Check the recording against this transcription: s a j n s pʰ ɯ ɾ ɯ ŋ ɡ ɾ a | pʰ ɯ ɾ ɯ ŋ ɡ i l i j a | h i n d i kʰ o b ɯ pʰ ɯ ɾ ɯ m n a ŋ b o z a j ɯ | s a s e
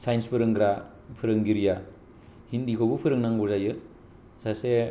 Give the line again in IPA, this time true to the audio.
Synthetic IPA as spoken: s a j n s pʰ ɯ ɾ ɯ ŋ ɡ ɾ a | pʰ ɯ ɾ ɯ ŋ ɡ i ɾ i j a | h i n d i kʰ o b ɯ pʰ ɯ ɾ ɯ ŋ n a ŋ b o z a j ɯ | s a s e